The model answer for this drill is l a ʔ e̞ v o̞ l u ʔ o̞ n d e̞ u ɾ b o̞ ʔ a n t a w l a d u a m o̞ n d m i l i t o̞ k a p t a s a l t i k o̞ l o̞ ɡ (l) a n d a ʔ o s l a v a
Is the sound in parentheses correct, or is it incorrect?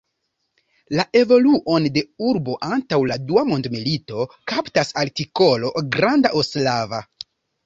incorrect